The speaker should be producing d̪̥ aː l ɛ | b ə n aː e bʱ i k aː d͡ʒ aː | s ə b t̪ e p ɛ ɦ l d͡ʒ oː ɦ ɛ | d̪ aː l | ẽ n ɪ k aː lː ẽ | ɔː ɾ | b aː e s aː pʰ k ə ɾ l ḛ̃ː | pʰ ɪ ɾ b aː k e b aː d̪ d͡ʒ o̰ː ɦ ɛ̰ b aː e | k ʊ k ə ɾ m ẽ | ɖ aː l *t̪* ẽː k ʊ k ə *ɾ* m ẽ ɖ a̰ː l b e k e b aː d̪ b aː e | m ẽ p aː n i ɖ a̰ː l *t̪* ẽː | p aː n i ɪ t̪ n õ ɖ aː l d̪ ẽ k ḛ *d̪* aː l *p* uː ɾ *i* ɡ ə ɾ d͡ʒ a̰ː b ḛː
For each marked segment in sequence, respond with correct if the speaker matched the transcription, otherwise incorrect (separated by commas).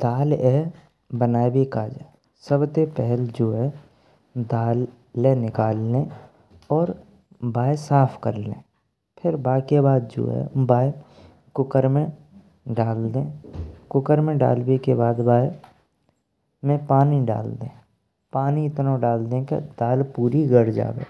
incorrect, correct, incorrect, correct, correct, correct